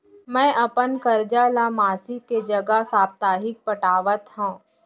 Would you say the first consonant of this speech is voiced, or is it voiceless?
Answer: voiced